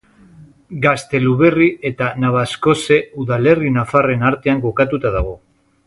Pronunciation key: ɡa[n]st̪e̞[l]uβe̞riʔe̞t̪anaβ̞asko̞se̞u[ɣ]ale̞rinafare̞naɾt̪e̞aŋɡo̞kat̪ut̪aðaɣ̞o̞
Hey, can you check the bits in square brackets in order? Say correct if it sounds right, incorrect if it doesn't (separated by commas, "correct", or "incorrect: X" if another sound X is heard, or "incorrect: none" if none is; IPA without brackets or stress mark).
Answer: incorrect: none, correct, incorrect: ð